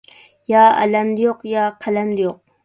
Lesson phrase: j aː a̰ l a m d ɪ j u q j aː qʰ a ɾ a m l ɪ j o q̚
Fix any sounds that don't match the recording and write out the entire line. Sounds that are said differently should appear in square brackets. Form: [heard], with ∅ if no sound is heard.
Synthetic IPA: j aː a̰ l a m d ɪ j [o] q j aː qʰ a [l] a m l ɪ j o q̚